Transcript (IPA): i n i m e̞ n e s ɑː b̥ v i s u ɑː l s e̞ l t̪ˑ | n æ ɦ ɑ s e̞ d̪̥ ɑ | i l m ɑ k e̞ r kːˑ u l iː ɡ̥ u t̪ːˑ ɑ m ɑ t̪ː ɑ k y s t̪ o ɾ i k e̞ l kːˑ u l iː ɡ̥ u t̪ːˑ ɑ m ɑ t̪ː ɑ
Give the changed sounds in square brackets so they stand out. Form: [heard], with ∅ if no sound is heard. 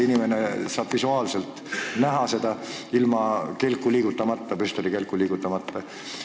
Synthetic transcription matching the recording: i n i m e̞ n e s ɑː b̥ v i s u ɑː l s e̞ l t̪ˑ | n æ ɦ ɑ s e̞ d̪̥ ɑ | i l m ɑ k e̞ [l] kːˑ u l iː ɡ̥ u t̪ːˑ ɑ m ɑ t̪ː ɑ [p] y s t̪ o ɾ i k e̞ l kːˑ u l iː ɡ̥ u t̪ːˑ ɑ m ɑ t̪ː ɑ